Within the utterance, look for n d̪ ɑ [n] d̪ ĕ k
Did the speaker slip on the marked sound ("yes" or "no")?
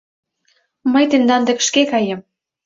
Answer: no